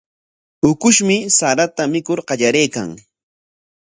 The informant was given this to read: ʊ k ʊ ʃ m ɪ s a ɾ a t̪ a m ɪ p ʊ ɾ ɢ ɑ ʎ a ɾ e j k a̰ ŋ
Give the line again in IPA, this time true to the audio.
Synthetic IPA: ʊ k ʊ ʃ m ɪ s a ɾ a t̪ a m ɪ k ʊ ɾ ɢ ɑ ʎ a ɾ e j k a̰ ŋ